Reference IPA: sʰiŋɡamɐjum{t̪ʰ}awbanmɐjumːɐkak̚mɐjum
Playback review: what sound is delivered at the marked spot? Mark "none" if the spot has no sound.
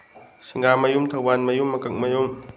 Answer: t̪ʰ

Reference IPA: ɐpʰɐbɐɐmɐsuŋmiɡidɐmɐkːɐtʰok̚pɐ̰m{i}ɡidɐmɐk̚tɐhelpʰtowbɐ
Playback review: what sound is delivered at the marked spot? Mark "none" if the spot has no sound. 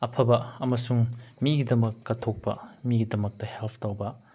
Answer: i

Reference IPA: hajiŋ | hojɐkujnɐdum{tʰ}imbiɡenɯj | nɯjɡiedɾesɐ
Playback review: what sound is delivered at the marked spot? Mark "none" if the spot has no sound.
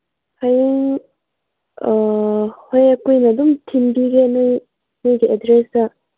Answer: tʰ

